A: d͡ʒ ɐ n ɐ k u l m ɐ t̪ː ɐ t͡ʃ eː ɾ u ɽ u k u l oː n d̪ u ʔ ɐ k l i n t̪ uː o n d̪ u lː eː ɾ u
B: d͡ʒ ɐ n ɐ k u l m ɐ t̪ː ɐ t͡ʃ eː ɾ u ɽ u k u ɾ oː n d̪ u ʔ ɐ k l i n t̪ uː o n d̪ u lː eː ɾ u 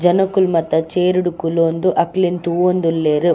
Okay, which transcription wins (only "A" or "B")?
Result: A